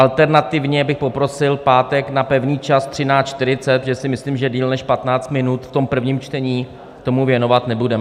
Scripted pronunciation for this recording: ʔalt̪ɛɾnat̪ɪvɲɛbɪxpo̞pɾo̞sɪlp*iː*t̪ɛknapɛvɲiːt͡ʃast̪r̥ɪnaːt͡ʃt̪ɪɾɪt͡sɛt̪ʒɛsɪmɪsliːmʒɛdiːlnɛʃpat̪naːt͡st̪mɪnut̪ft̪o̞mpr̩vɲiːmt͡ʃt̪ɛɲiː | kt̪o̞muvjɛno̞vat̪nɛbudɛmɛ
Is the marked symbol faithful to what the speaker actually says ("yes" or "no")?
no